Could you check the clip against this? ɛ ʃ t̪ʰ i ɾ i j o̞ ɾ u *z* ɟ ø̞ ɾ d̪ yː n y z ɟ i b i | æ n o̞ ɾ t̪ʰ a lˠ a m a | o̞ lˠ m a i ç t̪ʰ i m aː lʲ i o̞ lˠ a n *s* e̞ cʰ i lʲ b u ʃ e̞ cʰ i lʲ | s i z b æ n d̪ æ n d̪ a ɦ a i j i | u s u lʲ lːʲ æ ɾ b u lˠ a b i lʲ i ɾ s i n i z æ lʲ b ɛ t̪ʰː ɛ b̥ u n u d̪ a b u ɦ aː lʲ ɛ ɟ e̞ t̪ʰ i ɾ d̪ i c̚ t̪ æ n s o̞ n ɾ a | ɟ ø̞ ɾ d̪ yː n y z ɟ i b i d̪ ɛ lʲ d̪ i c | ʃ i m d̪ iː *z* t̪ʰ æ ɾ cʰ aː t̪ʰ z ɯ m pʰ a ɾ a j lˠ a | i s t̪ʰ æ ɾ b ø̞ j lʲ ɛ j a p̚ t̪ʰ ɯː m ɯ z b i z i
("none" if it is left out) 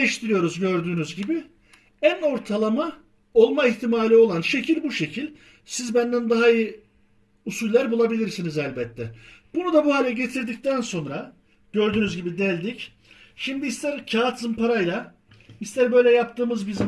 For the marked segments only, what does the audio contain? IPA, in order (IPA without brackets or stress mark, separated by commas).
z, ʃ, s